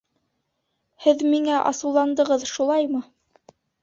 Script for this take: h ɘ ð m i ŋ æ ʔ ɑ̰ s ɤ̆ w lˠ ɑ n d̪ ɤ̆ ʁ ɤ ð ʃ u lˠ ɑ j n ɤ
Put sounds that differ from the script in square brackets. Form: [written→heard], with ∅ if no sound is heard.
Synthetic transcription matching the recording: h ɘ ð m i ŋ æ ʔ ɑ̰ s ɤ̆ w lˠ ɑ n d̪ ɤ̆ ʁ ɤ ð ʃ u lˠ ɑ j [n→m] ɤ